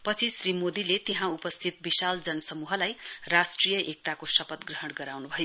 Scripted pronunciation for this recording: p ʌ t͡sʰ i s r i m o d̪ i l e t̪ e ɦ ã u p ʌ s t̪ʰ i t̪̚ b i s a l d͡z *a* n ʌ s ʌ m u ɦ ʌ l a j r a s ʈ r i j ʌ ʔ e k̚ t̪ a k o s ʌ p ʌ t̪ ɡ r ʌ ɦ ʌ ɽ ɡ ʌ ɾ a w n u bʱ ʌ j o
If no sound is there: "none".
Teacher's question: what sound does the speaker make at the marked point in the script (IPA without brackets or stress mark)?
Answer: ʌ